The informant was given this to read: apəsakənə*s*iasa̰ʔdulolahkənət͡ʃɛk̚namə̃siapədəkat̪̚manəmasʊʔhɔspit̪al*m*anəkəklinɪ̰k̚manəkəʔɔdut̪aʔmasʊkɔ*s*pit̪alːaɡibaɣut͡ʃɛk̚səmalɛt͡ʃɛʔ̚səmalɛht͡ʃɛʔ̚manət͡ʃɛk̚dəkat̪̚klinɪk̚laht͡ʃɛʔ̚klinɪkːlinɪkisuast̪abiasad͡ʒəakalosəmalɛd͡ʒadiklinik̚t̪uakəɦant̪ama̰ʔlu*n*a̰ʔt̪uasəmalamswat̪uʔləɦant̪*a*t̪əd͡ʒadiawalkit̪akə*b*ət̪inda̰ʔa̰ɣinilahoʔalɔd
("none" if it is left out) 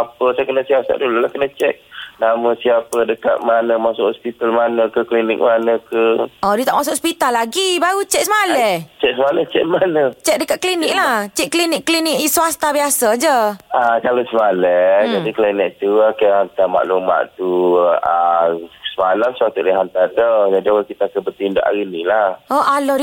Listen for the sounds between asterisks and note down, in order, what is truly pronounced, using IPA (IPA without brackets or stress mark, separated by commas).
s, m, s, m, a, b